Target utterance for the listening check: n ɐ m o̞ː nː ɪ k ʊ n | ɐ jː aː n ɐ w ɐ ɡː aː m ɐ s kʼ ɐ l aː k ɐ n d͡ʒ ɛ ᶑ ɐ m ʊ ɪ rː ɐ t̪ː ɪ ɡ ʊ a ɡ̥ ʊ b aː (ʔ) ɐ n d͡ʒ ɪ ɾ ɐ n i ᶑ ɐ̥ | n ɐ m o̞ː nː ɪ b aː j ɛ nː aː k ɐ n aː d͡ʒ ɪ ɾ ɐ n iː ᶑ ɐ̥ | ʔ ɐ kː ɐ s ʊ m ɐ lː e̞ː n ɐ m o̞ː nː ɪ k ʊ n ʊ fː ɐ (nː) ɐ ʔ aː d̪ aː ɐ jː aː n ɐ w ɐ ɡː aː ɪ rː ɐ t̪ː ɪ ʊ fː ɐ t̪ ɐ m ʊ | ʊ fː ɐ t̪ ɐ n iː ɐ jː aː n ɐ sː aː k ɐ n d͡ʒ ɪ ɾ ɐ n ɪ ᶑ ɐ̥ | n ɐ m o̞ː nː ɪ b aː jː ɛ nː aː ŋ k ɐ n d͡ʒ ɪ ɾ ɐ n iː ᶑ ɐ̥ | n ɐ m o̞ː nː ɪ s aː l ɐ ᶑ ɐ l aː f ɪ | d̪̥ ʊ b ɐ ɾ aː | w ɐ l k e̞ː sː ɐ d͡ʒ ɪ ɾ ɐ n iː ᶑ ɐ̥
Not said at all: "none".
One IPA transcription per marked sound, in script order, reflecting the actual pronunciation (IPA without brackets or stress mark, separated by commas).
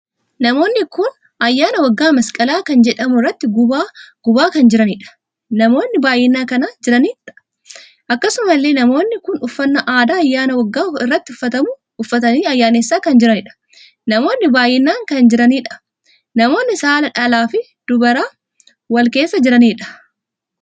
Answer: k, nː